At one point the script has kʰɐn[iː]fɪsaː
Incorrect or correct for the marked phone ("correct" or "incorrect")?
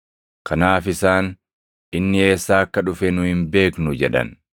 incorrect